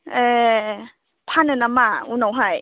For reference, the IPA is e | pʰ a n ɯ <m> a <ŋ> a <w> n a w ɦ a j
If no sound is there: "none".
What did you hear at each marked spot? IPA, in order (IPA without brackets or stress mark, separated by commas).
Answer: n, m, u